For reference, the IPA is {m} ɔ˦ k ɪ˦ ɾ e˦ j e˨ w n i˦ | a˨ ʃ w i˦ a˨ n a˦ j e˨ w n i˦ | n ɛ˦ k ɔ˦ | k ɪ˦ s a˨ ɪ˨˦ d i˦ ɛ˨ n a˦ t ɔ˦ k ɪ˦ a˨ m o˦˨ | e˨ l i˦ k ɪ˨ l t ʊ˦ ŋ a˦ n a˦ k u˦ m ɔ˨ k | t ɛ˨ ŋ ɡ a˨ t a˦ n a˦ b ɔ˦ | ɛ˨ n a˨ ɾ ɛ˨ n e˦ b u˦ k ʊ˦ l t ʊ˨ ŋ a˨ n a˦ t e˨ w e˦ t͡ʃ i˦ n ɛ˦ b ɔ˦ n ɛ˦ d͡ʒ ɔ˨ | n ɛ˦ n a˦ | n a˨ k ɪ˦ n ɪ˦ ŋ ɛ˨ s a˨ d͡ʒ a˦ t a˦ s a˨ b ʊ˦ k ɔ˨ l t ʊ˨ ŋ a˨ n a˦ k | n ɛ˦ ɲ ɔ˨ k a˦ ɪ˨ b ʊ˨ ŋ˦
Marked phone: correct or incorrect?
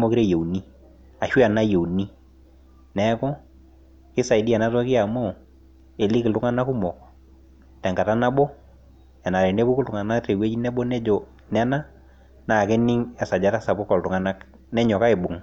correct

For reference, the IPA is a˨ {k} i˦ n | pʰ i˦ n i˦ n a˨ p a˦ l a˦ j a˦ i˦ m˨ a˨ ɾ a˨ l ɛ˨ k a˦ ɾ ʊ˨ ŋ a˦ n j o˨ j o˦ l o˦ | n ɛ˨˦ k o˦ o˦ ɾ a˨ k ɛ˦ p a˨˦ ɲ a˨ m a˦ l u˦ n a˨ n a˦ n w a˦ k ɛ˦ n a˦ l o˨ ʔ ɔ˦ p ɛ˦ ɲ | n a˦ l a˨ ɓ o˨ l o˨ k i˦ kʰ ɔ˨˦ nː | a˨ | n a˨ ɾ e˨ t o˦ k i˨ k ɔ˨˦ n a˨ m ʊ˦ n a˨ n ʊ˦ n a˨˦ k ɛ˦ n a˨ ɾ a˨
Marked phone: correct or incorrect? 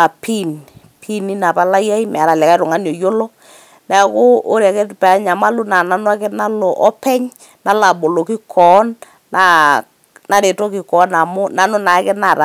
incorrect: p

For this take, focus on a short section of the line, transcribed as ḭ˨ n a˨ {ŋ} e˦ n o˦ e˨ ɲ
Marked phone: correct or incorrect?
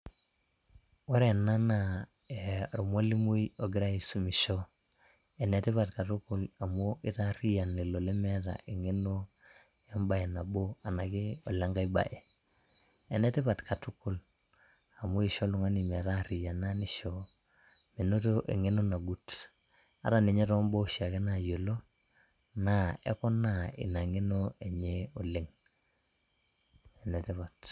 correct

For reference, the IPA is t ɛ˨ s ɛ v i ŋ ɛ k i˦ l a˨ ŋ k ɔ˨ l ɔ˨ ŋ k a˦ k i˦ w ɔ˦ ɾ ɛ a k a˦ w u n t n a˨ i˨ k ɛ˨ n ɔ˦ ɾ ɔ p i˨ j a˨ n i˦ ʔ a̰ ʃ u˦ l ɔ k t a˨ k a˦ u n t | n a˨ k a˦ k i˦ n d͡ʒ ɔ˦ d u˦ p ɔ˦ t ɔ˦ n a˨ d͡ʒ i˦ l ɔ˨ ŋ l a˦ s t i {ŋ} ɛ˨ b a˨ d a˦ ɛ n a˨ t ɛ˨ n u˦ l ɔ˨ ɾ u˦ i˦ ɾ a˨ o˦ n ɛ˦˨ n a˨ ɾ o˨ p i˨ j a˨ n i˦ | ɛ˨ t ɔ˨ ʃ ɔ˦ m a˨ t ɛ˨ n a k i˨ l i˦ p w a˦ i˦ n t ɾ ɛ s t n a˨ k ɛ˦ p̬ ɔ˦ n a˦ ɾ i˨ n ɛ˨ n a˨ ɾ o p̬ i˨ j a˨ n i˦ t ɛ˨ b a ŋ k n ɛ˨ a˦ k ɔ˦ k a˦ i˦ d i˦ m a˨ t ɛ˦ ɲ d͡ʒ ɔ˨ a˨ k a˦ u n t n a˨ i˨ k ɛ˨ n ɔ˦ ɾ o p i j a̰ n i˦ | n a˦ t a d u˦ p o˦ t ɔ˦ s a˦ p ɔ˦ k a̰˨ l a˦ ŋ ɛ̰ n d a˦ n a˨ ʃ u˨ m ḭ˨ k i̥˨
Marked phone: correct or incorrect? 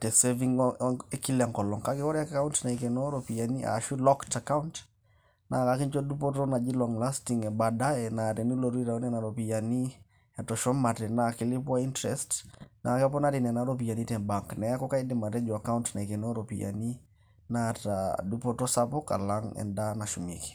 correct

